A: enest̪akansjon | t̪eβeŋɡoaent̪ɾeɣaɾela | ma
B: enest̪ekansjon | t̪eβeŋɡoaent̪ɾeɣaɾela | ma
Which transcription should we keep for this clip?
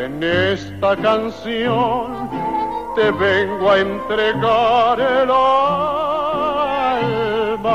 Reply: A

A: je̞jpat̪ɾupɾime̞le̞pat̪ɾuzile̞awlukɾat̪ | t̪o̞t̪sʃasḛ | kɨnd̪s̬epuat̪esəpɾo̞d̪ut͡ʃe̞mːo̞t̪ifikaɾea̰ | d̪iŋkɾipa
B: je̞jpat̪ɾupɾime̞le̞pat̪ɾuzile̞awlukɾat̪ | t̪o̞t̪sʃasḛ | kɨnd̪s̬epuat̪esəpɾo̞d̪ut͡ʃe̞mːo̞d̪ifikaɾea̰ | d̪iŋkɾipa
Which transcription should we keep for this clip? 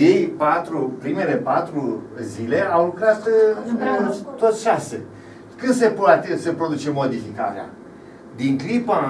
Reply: B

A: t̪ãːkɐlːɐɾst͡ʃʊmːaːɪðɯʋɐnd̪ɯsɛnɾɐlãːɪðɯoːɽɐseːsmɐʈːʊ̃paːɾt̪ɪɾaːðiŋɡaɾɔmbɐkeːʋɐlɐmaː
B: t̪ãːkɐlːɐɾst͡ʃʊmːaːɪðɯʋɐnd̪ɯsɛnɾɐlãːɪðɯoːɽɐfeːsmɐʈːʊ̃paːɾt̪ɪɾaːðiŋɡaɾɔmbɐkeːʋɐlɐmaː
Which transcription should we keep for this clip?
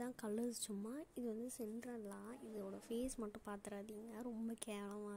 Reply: B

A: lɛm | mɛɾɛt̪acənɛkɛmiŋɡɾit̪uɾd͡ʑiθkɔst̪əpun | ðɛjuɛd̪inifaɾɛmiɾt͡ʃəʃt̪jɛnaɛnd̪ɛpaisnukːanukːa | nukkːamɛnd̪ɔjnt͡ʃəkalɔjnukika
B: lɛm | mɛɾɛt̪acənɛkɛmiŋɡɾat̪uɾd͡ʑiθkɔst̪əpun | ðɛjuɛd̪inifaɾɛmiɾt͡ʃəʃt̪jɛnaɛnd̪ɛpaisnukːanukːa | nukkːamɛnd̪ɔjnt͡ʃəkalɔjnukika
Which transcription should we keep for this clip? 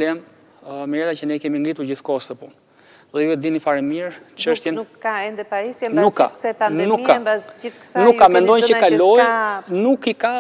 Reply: A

